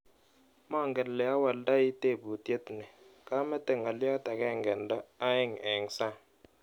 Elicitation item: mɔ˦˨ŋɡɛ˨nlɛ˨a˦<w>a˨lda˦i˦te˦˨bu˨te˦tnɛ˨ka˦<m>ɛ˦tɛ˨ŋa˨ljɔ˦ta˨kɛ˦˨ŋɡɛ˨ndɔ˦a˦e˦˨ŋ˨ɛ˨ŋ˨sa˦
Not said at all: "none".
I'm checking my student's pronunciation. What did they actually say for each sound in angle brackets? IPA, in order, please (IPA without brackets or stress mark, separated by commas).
w, m